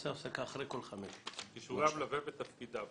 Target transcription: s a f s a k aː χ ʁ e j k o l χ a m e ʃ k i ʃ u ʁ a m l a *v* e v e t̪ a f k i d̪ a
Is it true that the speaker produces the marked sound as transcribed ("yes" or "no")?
yes